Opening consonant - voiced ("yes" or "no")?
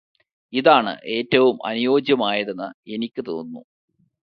yes